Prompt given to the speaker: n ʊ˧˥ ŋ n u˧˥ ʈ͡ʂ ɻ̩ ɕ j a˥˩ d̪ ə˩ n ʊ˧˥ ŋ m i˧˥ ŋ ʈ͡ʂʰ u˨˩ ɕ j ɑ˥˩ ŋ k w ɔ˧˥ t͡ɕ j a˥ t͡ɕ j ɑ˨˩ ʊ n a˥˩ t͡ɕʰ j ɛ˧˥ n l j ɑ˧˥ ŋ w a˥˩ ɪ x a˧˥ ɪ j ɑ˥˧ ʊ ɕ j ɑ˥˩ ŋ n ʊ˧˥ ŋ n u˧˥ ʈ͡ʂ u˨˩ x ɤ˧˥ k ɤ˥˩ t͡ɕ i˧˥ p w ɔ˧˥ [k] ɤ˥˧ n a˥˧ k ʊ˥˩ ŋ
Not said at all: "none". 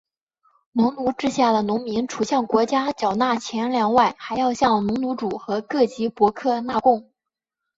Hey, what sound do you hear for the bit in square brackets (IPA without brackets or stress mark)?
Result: kʰ